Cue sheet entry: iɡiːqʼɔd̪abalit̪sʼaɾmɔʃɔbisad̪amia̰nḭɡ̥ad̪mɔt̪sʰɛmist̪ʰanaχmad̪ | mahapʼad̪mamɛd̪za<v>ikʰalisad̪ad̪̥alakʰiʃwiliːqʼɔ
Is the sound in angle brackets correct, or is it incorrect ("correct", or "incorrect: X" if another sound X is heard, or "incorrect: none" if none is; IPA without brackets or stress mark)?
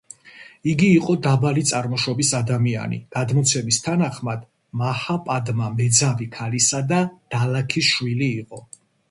correct